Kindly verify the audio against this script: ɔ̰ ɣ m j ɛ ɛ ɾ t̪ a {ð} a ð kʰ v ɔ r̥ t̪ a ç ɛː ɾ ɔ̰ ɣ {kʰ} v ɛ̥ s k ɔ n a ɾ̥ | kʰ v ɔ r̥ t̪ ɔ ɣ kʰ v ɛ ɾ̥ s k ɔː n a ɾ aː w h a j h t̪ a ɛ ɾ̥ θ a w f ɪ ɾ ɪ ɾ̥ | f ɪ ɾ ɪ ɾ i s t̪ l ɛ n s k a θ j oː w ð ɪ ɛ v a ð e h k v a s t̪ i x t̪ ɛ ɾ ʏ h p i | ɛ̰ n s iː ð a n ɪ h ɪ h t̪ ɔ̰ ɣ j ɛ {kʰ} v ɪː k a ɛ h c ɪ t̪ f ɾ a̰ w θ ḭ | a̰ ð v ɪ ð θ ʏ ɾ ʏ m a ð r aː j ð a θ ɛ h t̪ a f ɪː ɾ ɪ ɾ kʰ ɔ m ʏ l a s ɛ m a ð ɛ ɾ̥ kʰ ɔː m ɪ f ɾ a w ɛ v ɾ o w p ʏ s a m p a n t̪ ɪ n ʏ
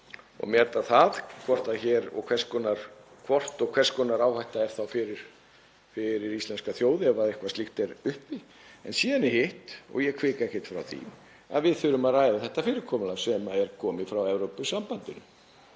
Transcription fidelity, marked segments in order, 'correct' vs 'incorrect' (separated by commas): incorrect, correct, correct